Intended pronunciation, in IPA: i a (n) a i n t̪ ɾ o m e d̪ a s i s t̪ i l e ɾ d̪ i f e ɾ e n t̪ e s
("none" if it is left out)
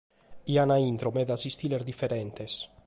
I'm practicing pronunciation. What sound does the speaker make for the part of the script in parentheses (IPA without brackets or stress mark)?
n